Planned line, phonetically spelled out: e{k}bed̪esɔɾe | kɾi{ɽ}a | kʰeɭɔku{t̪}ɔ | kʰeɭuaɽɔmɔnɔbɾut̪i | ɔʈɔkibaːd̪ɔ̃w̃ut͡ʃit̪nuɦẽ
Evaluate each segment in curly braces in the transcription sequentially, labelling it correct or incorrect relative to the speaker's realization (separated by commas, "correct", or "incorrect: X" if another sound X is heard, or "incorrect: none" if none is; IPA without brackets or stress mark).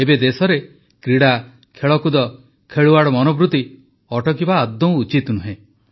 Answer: incorrect: none, correct, incorrect: d̪